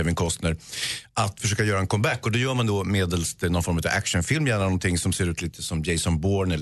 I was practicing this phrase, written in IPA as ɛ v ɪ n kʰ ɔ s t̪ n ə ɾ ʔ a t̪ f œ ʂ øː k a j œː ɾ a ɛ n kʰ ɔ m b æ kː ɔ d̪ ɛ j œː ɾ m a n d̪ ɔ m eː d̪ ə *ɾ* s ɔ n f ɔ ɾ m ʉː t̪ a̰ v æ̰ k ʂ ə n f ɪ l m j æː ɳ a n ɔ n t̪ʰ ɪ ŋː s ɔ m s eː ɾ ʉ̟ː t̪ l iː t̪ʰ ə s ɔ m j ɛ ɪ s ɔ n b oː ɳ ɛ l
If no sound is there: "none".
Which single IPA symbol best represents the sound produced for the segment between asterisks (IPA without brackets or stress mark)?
l